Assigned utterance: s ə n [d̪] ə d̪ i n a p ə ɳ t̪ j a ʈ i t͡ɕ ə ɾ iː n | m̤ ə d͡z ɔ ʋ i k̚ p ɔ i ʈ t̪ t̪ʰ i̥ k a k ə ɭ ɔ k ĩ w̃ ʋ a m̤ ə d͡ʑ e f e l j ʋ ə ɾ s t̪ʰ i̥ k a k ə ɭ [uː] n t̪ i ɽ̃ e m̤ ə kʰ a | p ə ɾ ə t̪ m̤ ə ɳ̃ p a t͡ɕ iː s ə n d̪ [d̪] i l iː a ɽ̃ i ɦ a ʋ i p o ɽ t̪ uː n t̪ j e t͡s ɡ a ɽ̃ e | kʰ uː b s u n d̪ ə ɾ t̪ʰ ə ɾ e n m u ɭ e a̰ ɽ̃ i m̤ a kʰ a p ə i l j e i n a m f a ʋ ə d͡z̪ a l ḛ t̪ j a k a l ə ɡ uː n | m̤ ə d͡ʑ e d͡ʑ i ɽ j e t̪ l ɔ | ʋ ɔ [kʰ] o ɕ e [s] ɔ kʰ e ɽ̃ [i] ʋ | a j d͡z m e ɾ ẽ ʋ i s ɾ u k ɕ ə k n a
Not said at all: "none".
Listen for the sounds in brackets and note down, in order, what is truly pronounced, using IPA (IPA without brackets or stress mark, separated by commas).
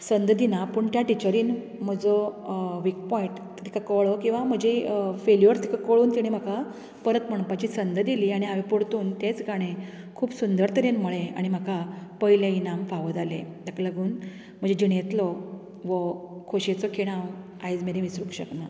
d̪, uː, d̪, kʰ, t͡s, a